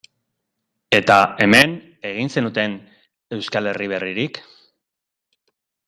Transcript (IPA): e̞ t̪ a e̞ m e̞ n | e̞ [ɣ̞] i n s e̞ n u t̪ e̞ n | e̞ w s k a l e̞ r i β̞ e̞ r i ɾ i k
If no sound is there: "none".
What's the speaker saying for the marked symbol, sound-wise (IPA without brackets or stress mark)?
ɣ̞